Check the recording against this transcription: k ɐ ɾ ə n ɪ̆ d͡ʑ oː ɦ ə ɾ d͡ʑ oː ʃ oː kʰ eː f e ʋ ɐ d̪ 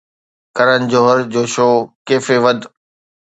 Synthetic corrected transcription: k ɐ ɾ ə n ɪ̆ d͡ʑ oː ɦ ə ɾ d͡ʑ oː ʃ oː k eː f e ʋ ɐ d̪